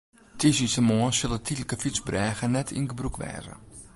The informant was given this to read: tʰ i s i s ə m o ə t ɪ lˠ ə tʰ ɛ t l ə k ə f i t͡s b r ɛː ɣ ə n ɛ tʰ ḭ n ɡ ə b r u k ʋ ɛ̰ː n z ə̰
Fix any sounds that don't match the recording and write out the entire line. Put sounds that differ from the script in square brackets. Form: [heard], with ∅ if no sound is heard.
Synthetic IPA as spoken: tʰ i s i s ə m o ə [s] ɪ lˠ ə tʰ [i] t l ə k ə f i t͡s b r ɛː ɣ ə n ɛ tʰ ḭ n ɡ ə b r u k ʋ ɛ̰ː [∅] z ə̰